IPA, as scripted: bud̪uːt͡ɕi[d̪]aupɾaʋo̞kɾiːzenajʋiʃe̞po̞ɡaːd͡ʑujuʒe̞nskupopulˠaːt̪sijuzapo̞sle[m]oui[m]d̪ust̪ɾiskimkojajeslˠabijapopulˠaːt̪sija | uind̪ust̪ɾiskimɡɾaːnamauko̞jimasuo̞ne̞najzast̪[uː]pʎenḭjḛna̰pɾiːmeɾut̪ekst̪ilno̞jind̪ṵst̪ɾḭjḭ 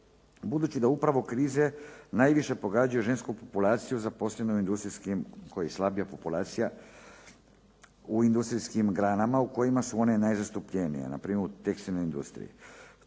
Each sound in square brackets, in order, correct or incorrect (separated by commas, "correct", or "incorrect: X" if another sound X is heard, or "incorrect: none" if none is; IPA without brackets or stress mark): correct, incorrect: n, incorrect: n, incorrect: u